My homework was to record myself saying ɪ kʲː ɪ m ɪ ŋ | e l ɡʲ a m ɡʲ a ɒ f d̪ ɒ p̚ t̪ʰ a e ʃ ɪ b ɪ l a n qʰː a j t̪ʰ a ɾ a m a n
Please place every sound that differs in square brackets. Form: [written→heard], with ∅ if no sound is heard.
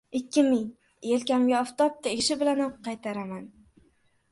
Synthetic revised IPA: ɪ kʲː ɪ m ɪ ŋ | e l [ɡʲ→kʲ] a m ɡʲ a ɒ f [d̪→t̪] ɒ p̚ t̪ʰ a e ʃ ɪ b ɪ l a n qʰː [a→ɑ] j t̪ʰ a ɾ a m a n